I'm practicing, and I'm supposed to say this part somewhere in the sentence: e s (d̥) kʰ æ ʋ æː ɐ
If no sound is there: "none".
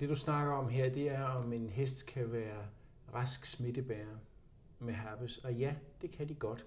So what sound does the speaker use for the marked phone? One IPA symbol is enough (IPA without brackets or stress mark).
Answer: d̥